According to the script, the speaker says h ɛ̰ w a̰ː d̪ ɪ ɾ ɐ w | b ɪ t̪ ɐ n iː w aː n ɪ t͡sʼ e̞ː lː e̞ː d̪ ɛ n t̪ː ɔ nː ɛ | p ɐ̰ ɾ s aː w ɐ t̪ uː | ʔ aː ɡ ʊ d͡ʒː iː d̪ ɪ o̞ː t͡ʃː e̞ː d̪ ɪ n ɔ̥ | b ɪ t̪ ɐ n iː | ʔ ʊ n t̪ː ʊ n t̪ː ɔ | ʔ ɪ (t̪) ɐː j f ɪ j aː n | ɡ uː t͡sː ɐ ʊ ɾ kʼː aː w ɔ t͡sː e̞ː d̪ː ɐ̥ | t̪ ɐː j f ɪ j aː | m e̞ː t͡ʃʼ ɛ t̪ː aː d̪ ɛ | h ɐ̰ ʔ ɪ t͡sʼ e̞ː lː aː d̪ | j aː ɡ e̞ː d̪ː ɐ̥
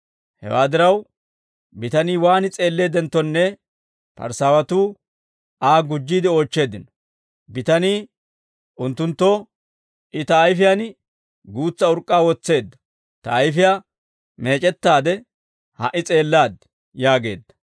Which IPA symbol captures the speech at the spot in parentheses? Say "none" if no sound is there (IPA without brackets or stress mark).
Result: t̪